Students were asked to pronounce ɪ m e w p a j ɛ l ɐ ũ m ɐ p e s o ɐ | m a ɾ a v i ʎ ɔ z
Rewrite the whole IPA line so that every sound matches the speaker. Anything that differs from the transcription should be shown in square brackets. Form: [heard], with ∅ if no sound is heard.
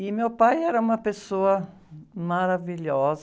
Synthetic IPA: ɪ m e w p a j ɛ [ɾ] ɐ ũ m ɐ p e s o ɐ | m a ɾ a v i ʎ ɔ z

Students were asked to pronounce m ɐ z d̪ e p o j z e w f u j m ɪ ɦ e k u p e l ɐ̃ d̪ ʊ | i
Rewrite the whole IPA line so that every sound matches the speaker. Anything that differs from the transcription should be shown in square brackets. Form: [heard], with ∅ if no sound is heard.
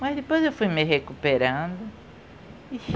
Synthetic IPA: m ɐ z d̪ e p o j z e w f u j m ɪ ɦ e k u p e [ɾ] ɐ̃ d̪ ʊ | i

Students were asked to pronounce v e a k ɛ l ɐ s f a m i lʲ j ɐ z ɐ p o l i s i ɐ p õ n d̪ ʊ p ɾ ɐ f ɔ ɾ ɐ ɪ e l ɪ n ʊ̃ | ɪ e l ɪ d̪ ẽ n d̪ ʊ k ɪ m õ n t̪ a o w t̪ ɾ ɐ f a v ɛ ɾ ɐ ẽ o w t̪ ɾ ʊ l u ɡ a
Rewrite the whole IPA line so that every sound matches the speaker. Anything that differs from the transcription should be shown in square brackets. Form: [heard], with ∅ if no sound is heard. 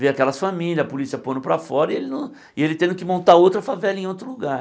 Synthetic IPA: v e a k ɛ l ɐ s f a m i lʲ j ɐ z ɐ p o l i s i ɐ p õ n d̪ ʊ p ɾ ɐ f ɔ ɾ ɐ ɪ e l ɪ n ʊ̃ | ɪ e l ɪ [t̪] ẽ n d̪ ʊ k ɪ m õ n t̪ a o w t̪ ɾ ɐ f a v ɛ [l] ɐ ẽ o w t̪ ɾ ʊ l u ɡ a

